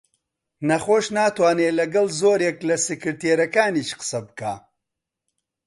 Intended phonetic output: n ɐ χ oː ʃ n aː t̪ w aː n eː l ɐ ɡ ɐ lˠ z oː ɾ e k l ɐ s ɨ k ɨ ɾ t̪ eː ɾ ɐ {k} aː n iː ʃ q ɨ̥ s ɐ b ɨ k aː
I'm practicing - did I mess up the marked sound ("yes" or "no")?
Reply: no